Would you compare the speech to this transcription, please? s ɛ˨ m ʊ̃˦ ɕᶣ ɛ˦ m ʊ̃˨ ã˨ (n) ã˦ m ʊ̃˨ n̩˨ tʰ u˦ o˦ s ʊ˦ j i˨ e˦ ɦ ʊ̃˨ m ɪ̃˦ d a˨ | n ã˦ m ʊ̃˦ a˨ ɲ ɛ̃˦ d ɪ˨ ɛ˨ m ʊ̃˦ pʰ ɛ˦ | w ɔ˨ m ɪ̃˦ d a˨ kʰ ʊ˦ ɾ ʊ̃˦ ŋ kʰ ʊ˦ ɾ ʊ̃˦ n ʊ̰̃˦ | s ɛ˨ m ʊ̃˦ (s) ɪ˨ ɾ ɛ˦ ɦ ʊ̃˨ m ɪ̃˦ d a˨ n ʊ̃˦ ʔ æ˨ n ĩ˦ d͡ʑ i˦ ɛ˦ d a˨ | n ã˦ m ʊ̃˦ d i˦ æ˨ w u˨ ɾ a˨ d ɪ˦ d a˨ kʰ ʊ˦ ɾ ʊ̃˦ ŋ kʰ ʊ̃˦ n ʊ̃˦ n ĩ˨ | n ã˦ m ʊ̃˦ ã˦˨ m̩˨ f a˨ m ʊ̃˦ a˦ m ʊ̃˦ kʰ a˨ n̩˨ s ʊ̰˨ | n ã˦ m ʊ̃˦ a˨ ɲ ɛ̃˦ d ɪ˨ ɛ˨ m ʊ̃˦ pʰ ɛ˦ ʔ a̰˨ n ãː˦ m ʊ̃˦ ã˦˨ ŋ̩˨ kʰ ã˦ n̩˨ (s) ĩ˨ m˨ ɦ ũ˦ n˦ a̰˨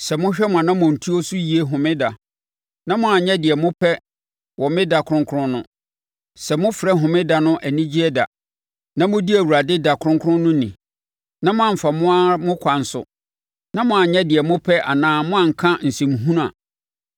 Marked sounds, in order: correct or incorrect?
correct, incorrect, correct

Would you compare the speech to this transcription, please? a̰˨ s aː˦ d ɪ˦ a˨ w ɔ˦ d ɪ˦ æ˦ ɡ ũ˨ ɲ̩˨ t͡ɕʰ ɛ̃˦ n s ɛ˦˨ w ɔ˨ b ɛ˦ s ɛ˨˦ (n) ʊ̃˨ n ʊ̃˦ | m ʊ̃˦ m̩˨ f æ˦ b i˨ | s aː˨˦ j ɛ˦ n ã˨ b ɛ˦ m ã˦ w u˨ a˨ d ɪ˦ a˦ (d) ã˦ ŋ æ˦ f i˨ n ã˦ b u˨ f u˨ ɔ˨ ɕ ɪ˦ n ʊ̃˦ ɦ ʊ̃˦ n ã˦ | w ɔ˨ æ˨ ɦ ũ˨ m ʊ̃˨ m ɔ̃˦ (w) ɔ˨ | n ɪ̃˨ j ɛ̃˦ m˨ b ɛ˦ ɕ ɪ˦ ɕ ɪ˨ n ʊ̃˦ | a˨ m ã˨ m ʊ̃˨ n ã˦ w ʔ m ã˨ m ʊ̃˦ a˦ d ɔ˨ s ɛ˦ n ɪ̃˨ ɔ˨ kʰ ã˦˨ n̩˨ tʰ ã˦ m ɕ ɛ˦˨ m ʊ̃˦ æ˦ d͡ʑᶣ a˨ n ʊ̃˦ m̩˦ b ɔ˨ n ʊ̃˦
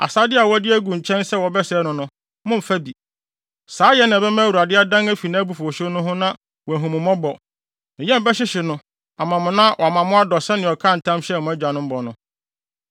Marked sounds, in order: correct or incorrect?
correct, correct, incorrect

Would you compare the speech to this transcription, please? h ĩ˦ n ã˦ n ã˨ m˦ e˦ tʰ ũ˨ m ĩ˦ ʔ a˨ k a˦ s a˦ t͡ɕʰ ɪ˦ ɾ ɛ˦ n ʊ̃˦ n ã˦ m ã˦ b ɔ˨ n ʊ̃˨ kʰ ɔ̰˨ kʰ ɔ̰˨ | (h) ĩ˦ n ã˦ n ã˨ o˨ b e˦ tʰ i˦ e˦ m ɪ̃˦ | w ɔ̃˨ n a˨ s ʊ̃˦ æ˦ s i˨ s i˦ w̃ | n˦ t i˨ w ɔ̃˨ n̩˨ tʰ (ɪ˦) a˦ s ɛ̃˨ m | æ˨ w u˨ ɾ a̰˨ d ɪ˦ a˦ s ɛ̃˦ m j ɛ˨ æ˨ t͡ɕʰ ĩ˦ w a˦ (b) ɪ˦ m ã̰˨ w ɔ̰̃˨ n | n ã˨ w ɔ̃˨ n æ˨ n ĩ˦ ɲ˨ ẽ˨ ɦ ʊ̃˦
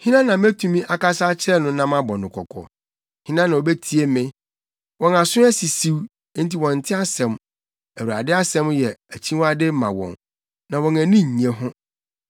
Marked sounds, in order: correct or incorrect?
correct, correct, incorrect

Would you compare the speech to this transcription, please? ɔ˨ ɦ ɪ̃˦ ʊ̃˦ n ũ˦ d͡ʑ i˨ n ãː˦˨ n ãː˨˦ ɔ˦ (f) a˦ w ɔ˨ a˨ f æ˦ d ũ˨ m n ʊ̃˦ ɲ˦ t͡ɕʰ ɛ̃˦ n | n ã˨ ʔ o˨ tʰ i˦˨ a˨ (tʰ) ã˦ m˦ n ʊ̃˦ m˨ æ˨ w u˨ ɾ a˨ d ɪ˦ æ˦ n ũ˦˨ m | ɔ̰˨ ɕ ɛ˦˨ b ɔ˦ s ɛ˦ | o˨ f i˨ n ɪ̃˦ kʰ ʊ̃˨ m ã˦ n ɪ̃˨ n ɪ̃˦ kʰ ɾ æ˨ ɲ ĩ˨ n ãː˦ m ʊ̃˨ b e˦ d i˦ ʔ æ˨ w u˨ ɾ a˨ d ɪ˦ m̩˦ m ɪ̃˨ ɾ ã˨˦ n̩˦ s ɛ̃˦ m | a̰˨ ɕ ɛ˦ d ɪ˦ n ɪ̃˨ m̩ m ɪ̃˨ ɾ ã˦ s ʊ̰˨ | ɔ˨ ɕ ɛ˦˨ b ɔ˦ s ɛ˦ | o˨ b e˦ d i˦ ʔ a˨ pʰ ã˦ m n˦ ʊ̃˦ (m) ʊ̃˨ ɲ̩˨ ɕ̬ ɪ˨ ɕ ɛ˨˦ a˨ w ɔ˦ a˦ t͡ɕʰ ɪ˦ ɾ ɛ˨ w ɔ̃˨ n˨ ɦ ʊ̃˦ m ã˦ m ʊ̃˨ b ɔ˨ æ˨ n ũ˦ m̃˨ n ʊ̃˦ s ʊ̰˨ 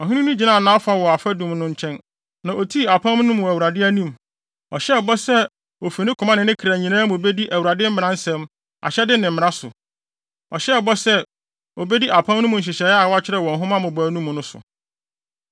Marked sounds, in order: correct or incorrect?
correct, incorrect, correct

